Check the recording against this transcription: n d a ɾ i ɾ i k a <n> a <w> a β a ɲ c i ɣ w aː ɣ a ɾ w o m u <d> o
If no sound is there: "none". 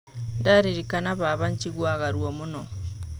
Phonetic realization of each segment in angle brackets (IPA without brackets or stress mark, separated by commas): n, β, n